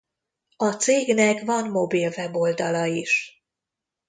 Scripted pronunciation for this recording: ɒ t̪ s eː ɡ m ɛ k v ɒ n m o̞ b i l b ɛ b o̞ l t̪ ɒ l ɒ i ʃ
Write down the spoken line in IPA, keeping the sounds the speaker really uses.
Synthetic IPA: ɒ t̪ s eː ɡ n ɛ k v ɒ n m o̞ b i l v ɛ b o̞ l d̪ ɒ l ɒ i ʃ